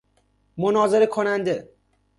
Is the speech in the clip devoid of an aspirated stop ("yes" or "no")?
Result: no